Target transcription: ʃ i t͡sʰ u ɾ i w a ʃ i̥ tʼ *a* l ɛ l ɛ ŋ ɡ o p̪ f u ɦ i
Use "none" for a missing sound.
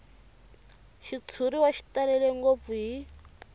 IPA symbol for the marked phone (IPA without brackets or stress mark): a